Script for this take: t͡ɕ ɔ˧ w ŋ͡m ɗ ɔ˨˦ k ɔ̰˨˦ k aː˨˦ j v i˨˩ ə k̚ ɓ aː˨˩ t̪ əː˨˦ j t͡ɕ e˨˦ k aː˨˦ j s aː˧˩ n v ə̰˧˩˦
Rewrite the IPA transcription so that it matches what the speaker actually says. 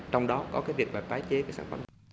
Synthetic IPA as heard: t͡ɕ ɔ˧ w ŋ͡m ɗ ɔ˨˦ k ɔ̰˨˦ k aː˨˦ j v i˨˩ ə k̚ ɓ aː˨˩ t̪ aː˨˦ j t͡ɕ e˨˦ k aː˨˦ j s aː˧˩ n f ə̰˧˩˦